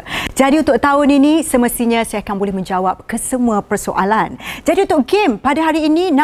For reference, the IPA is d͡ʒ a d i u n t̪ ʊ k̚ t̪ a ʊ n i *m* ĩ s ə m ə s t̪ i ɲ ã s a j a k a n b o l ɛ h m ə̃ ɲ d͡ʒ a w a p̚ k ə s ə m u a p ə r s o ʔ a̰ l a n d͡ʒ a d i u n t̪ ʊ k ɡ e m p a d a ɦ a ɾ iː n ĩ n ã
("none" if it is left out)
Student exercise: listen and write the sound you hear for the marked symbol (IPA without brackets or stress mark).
n